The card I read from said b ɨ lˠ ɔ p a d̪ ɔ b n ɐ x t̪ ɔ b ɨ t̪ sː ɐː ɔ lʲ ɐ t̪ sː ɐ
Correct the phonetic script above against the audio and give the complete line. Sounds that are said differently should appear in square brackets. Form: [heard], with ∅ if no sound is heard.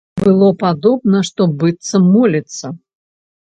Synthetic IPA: b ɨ lˠ ɔ p a d̪ ɔ b n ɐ [ʂ] t̪ ɔ b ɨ t̪ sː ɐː ɔ lʲ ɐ t̪ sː ɐ